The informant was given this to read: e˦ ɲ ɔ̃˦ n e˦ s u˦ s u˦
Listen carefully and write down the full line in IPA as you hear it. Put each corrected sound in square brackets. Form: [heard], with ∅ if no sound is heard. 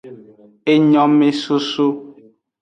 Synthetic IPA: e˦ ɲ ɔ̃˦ [m] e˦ s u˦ s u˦